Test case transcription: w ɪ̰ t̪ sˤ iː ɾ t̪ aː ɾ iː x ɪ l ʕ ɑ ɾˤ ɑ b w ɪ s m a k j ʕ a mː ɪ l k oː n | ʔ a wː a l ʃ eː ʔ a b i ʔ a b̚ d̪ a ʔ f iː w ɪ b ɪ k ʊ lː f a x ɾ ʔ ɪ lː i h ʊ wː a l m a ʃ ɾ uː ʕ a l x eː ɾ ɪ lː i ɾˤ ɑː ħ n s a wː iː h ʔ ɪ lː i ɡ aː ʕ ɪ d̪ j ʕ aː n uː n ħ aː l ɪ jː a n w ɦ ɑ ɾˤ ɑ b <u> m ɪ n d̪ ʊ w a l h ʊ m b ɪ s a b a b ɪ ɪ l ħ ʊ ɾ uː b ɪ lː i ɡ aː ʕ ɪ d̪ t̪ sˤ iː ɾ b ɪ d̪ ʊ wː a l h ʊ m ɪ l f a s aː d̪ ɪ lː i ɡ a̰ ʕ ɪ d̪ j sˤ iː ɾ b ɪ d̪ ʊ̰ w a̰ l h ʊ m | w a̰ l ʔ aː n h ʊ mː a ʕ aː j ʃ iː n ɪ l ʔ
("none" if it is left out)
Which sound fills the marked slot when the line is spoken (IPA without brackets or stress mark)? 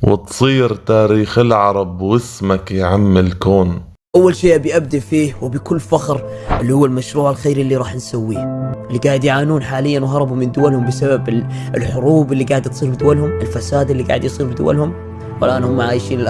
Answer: u